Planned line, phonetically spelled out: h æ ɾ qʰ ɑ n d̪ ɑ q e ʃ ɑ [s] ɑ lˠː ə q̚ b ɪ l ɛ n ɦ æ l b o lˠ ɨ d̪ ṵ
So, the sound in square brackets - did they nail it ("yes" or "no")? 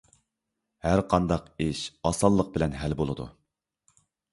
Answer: yes